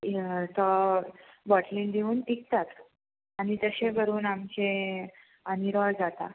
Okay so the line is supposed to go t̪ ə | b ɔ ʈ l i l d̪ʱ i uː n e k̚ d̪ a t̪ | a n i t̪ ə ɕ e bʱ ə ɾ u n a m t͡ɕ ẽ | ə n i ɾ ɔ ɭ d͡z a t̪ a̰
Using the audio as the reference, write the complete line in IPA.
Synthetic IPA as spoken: t̪ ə | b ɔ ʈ l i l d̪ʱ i uː n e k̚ t̪ a t̪ | a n i t̪ ə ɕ e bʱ ə ɾ uː n a m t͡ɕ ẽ | ə n i ɾ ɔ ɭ d͡z a t̪ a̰